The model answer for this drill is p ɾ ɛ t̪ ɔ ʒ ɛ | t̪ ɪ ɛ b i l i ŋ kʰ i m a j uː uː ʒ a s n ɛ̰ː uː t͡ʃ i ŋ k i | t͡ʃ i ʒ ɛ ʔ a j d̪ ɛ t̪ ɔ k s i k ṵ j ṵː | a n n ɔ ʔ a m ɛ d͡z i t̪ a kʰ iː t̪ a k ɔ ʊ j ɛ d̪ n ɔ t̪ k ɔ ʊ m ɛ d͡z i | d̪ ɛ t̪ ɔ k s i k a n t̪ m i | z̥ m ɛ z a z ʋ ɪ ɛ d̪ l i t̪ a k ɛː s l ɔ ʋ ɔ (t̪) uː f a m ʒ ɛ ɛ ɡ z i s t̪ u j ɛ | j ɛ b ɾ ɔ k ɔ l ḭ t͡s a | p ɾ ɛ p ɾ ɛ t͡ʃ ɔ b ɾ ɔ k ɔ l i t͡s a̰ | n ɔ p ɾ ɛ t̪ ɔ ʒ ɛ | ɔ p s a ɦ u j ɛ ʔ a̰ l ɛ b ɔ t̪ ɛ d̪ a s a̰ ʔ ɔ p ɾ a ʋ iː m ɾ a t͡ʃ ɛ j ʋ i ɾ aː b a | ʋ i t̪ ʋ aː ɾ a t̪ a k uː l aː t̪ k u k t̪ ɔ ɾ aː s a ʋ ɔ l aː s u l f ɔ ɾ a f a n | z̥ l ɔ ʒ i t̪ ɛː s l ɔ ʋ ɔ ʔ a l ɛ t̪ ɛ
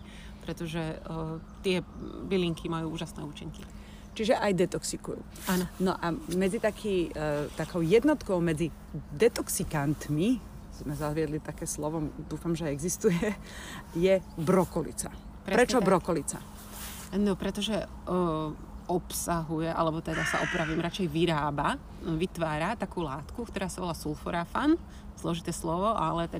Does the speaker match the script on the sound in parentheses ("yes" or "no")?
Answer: no